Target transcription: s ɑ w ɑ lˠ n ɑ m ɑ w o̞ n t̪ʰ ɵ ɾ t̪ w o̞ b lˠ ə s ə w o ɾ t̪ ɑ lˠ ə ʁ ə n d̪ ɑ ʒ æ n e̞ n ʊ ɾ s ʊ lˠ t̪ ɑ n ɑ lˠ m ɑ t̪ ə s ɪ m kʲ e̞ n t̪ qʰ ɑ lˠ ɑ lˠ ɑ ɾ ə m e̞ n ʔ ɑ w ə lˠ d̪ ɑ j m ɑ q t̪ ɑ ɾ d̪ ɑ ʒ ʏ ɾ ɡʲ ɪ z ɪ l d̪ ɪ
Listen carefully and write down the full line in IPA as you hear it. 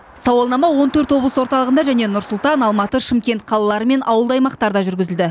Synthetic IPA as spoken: s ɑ w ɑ lˠ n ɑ m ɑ w o̞ n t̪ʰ ɵ ɾ t̪ w o̞ b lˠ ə s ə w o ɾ t̪ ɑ lˠ ə ʁ ə n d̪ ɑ ʒ æ n e̞ n ʊ ɾ s ʊ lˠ t̪ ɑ n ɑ lˠ m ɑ t̪ ə ʃ ɪ m kʲ e̞ n t̪ qʰ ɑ lˠ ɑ lˠ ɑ ɾ ə m e̞ n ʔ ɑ w ə lˠ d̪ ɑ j m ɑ q t̪ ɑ ɾ d̪ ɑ ʒ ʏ ɾ ɡʲ ɪ z ɪ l d̪ ɪ